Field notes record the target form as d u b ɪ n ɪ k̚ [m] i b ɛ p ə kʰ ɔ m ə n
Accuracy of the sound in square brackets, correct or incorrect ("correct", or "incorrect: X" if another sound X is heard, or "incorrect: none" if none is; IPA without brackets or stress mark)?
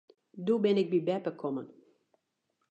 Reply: incorrect: b